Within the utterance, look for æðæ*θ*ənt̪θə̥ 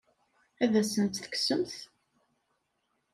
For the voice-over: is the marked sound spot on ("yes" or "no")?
no